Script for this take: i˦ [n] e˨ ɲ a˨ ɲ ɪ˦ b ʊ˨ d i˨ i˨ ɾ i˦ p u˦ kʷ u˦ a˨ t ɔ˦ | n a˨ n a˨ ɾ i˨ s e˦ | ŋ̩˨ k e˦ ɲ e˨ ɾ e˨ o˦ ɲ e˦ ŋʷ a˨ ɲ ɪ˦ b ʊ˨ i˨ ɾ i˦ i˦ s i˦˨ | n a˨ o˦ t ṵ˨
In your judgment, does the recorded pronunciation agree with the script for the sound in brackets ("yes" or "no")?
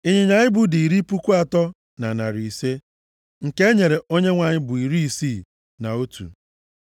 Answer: no